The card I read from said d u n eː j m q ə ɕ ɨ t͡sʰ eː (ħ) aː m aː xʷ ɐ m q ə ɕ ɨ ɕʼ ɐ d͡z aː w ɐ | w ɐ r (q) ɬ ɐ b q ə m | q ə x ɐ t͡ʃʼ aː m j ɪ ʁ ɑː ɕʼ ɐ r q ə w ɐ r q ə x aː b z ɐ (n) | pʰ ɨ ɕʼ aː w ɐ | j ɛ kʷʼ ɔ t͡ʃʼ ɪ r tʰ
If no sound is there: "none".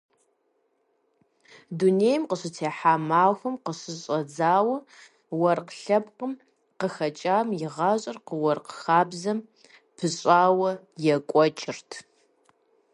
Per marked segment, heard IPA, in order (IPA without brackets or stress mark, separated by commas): ħ, q, m